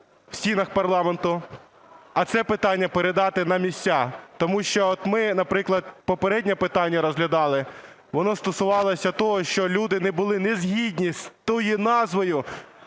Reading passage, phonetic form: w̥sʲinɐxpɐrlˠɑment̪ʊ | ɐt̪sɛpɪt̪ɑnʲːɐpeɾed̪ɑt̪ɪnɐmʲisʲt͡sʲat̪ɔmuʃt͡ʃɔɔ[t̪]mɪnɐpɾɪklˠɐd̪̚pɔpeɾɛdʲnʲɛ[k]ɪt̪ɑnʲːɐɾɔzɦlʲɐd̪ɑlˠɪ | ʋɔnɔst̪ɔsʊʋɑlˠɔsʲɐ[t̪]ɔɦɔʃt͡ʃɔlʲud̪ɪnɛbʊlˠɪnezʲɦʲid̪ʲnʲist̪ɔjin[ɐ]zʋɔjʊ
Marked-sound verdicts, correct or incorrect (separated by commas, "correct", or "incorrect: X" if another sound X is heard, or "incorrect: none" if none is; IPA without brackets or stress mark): correct, incorrect: p, correct, incorrect: ɑ